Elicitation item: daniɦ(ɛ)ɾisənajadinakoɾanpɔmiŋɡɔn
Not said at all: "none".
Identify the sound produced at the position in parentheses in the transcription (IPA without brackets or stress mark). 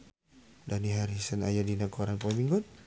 a